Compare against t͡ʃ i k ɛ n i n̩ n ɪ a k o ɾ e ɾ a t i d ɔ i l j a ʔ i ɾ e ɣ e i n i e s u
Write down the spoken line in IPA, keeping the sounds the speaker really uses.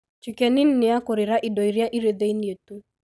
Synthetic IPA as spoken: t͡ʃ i k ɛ n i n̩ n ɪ a k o ɾ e ɾ a ʔ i d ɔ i ɾ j a ʔ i ɾ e ð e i n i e t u